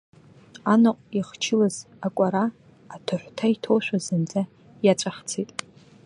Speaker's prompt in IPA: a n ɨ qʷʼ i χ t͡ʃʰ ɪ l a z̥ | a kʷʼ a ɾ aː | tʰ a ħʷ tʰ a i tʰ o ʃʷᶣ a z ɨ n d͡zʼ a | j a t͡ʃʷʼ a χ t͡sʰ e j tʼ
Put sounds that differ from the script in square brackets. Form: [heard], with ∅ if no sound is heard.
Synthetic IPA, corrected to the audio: a n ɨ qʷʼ i χ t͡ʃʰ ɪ l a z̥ | a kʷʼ a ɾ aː | tʰ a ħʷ tʰ a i tʰ o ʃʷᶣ a z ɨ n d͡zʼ a | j a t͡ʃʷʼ a χ t͡sʰ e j tʼ